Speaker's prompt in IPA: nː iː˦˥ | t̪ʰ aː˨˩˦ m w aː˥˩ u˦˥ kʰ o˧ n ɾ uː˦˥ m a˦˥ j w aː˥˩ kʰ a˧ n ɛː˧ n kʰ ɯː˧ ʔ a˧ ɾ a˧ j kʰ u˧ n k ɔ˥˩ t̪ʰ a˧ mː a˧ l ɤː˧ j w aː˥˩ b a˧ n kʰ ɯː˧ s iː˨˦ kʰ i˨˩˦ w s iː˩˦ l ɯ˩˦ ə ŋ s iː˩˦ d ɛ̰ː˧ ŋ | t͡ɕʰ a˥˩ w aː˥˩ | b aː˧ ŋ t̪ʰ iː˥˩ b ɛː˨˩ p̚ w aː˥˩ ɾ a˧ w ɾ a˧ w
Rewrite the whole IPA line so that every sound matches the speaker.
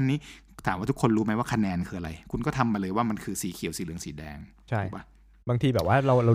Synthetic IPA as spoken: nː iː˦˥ | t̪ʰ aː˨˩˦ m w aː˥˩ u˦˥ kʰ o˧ n ɾ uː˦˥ m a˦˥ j w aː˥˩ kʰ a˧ n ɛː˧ n kʰ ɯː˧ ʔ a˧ ɾ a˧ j kʰ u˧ n k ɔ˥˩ t̪ʰ a˧ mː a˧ l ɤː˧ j w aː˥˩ m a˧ n kʰ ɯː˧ s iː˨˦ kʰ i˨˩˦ w s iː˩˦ l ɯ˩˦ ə ŋ s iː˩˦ d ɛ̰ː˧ ŋ | t͡ɕʰ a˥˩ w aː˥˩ | b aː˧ ŋ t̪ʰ iː˧ b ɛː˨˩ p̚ w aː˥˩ ɾ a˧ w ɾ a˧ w